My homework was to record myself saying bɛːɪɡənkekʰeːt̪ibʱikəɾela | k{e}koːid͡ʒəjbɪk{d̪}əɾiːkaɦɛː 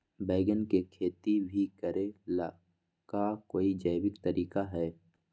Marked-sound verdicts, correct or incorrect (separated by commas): incorrect, incorrect